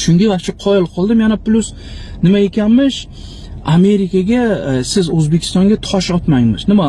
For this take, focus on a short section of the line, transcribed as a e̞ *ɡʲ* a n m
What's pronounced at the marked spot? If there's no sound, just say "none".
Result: kʲ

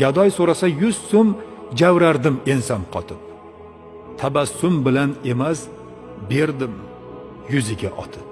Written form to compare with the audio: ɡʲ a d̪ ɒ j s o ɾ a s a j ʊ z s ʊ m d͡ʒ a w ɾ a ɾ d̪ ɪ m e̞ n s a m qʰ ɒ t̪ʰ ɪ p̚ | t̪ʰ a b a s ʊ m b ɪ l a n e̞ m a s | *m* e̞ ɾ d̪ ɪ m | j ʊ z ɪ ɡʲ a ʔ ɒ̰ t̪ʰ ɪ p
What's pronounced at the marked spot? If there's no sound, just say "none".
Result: b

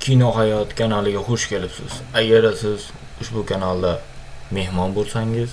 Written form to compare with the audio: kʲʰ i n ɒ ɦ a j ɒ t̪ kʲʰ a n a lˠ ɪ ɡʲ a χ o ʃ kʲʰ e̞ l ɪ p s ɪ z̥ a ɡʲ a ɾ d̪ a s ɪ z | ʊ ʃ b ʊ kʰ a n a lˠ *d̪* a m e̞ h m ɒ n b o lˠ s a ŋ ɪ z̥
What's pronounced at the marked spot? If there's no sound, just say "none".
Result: d̪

